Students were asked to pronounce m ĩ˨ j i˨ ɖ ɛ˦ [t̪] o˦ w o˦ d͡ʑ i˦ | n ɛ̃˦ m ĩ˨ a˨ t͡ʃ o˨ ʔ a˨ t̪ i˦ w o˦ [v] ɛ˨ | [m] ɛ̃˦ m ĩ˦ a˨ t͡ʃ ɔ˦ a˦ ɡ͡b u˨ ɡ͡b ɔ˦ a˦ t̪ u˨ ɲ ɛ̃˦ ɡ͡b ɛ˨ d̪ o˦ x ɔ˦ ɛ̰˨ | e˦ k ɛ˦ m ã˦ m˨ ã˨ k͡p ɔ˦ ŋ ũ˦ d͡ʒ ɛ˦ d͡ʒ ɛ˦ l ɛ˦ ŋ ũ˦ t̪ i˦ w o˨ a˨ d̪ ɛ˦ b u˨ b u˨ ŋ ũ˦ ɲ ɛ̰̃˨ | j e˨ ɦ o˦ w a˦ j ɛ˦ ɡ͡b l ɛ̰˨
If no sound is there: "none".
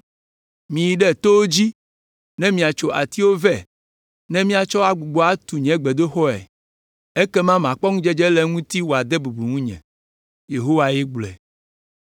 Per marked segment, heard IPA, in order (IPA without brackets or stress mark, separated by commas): t̪, v, n